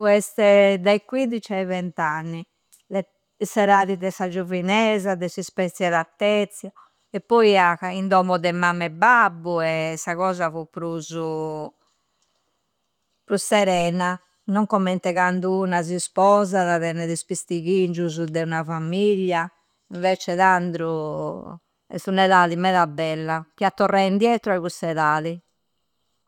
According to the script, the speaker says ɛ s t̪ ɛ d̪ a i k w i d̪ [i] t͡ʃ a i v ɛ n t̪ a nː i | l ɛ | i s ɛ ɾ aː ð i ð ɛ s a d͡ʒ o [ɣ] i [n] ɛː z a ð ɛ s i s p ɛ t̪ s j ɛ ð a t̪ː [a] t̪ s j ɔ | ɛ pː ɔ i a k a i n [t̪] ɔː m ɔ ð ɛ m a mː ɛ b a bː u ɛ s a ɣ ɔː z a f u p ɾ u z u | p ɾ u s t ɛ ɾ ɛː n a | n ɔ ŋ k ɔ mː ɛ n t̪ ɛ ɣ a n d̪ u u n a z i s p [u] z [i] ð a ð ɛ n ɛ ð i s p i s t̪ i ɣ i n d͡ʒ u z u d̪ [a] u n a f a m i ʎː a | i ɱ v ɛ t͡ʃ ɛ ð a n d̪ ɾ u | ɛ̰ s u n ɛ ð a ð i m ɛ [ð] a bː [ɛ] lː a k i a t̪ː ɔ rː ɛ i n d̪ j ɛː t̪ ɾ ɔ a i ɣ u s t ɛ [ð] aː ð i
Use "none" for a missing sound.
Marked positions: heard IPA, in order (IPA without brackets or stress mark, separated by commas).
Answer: i, v, n, ɛ, d̪, ɔ, a, ɛ, ð, ɛ, ð